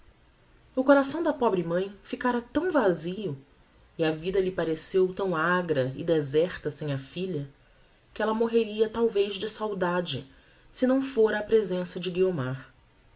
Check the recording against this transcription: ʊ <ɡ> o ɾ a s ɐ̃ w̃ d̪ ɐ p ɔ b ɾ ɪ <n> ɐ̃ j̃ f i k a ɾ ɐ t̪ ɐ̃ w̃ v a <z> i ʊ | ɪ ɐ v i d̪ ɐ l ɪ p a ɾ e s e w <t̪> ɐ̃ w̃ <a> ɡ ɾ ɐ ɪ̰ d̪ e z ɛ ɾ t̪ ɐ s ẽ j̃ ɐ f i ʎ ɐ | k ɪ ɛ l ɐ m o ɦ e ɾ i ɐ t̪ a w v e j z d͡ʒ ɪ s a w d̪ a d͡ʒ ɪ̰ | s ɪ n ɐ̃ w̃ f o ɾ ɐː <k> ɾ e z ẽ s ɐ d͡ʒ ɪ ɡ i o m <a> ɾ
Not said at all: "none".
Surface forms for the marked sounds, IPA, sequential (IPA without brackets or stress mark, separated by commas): k, m, z, t̪, a, p, a